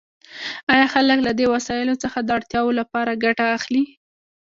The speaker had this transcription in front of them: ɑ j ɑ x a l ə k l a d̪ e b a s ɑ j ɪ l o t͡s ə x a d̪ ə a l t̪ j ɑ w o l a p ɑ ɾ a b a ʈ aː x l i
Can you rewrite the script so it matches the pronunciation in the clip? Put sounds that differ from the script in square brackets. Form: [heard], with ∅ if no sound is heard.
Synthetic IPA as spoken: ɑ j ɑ x a l ə k l a d̪ e [w] a s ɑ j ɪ l o t͡s ə x a d̪ ə a [ɽ] t̪ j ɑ w o l a p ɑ ɾ a [ɡ] a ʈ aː x l i